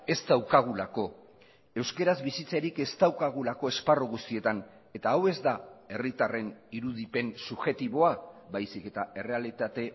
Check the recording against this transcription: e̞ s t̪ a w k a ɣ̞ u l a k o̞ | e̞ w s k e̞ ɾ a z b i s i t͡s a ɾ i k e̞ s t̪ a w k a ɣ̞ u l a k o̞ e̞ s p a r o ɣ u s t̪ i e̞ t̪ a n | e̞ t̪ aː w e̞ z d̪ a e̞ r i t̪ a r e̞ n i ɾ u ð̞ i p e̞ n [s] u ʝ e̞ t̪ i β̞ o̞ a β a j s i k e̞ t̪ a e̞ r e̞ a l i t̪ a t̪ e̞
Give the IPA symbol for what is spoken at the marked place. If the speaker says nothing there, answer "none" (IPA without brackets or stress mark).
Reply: s